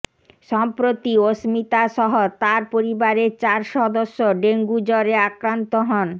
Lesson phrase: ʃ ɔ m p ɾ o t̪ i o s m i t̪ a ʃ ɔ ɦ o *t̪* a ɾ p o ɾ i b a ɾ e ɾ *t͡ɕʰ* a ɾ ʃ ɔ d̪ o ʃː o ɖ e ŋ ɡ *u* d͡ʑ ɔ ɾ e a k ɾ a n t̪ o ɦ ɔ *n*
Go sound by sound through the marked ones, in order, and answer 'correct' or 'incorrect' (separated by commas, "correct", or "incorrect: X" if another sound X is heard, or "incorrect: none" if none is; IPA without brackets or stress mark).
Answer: correct, incorrect: t͡ɕ, correct, correct